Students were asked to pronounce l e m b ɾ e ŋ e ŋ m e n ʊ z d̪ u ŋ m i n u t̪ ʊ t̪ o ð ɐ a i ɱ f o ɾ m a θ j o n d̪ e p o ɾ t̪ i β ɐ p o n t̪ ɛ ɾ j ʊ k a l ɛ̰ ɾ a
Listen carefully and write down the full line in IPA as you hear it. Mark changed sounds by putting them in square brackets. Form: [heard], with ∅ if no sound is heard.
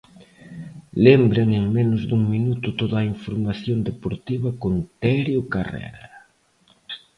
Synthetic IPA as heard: l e m b ɾ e ŋ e ŋ m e n ʊ z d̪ u ŋ m i n u t̪ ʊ t̪ o ð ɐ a i ɱ f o ɾ m a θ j o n d̪ e p o ɾ t̪ i β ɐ [k] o n t̪ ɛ ɾ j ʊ k a [r] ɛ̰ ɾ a